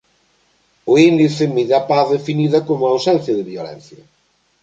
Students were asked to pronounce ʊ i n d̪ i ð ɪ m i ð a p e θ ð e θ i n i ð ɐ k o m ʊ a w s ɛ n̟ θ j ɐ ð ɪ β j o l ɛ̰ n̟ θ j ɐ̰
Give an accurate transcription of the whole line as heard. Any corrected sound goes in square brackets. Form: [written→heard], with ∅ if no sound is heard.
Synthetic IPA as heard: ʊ i n d̪ i [ð→θ] ɪ m i ð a p [e→a] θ ð e [θ→f] i n i ð ɐ k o m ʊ a w s ɛ n̟ θ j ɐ ð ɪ β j o l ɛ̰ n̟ θ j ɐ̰